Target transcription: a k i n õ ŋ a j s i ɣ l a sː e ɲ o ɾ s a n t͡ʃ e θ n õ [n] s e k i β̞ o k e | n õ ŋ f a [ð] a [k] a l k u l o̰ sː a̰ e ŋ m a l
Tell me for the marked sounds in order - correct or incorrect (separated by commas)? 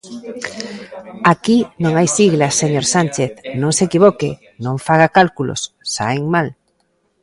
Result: incorrect, incorrect, correct